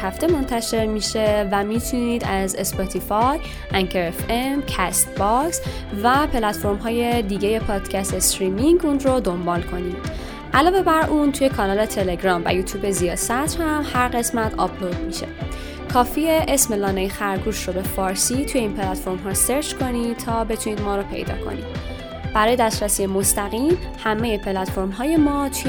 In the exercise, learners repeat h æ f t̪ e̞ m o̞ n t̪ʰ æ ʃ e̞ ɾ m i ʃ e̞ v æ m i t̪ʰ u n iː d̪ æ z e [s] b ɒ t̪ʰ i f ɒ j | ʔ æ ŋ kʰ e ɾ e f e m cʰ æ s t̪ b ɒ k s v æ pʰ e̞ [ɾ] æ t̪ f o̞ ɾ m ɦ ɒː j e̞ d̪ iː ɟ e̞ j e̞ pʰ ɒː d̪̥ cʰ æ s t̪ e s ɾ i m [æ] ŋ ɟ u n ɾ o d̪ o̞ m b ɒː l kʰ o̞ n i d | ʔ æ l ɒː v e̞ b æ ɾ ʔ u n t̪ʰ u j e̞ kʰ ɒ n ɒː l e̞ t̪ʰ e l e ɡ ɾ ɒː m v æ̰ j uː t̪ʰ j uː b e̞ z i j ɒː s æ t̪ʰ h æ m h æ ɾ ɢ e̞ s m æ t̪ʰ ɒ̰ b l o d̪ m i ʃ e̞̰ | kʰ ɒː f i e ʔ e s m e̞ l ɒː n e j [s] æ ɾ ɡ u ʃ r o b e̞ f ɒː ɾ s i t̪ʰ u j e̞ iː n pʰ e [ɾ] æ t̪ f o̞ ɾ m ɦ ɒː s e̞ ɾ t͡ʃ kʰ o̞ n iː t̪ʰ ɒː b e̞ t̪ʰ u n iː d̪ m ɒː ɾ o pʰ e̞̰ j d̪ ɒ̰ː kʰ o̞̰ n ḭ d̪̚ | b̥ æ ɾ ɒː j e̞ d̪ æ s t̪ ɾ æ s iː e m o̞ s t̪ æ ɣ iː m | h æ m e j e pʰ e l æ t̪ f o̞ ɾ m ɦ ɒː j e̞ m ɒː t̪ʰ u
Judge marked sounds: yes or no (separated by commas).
yes, no, no, no, no